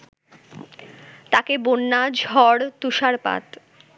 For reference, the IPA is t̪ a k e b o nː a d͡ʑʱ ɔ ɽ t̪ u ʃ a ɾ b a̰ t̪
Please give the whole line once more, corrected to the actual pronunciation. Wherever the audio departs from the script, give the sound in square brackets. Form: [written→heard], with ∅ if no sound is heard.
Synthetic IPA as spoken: t̪ a k e b o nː a d͡ʑʱ ɔ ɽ t̪ u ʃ a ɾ [b→p] a̰ t̪